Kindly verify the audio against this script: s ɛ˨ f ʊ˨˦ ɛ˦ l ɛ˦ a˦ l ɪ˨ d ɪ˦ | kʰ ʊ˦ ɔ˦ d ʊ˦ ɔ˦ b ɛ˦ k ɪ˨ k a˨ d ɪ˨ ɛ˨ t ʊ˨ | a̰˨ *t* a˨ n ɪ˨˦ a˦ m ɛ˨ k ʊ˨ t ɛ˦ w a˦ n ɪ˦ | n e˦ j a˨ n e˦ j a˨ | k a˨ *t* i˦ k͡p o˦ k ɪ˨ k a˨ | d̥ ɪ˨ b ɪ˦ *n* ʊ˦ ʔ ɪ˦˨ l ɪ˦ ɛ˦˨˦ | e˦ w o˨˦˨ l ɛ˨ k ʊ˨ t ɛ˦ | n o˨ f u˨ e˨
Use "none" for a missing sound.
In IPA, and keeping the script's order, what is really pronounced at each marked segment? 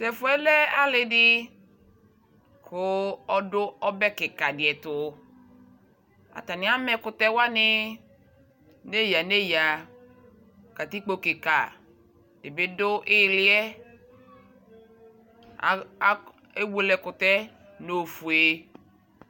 t, t, d

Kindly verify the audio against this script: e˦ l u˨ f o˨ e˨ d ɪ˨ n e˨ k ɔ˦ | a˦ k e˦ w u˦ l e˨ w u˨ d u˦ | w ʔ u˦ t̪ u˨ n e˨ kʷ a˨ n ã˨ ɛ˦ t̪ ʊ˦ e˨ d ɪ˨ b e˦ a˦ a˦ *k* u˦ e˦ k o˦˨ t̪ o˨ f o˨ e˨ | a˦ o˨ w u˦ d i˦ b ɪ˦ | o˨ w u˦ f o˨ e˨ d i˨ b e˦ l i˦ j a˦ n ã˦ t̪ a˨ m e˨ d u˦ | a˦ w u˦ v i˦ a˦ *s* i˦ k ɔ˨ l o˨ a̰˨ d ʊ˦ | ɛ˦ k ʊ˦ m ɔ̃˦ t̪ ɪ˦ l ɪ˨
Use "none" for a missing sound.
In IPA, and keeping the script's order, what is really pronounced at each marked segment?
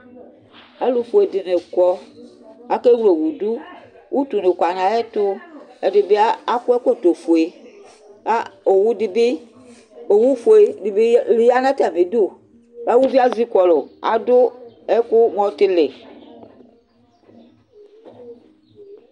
k, z

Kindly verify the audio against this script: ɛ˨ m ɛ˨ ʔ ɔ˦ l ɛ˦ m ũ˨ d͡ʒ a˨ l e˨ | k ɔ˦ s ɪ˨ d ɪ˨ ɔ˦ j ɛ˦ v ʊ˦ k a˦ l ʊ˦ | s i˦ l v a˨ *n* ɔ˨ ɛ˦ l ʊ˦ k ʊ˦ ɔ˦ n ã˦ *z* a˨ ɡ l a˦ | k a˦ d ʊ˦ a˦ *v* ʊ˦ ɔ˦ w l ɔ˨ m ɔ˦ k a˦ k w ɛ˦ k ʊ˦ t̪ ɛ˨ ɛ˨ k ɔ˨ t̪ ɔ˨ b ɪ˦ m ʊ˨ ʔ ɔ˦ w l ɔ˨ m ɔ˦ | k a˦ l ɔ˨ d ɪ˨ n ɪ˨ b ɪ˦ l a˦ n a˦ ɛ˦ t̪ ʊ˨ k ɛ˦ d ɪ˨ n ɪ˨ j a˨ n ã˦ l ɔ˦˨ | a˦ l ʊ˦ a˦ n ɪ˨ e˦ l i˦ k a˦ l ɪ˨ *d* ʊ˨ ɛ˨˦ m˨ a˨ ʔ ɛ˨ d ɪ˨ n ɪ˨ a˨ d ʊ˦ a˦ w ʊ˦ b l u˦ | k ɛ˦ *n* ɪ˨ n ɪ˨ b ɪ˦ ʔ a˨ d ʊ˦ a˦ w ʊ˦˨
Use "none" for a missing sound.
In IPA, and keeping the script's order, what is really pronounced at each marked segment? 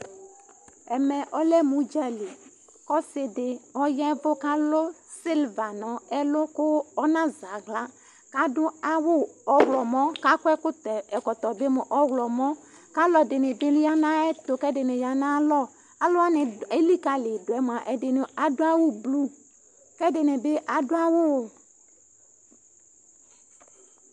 n, z, w, d, d

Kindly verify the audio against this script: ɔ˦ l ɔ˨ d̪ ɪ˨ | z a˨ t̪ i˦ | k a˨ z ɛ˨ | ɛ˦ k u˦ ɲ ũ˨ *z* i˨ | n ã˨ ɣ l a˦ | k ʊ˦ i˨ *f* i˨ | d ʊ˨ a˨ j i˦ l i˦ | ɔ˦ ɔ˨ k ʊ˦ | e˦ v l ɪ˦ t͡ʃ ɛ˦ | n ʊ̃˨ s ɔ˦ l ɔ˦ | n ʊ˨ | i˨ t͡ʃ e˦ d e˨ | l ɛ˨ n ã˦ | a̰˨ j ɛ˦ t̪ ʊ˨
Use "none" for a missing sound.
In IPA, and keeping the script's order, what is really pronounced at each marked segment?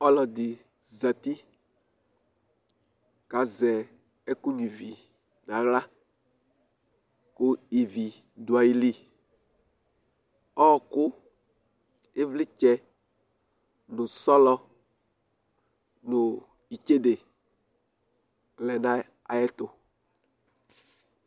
v, v

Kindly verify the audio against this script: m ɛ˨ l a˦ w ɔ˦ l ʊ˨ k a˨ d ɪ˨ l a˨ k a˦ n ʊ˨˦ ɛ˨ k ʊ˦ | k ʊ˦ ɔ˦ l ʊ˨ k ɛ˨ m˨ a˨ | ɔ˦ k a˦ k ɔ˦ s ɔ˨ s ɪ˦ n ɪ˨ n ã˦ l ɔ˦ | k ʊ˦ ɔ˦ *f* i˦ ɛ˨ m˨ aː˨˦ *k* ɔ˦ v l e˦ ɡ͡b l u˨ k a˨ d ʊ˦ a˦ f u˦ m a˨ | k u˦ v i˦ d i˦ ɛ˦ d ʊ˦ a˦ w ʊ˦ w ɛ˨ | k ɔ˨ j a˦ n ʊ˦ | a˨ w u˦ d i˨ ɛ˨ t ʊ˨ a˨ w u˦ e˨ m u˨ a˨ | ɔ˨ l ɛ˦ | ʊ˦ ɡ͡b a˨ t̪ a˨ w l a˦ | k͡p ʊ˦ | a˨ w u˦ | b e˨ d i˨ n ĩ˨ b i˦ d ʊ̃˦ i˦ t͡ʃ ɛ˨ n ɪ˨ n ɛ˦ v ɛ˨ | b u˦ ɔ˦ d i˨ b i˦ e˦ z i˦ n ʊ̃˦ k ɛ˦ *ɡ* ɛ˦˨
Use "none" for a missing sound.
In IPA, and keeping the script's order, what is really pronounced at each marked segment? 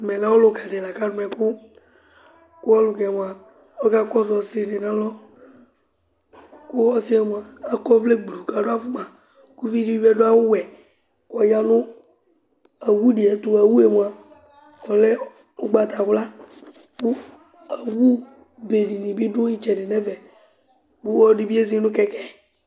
s, k, k

